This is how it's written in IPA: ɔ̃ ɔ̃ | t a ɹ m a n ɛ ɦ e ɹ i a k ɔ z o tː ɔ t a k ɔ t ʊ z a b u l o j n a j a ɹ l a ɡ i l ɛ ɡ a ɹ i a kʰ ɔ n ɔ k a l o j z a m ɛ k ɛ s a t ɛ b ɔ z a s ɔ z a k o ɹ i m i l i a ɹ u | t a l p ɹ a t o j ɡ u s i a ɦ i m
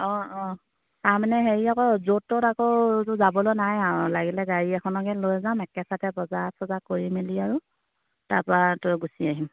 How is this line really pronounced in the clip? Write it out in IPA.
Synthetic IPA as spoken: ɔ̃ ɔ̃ | t a ɹ m a n ɛ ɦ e ɹ i a k ɔ z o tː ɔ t a k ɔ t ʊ z a b ɔ l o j n a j a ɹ l a ɡ i l ɛ ɡ a ɹ i ɛ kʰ ɔ n ɔ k ɛ l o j z a m ɛ k ɛ s a t ɛ b ɔ z a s ɔ z a k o ɹ i m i l i a ɹ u | t a ɹ p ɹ a t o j ɡ u s i a ɦ i m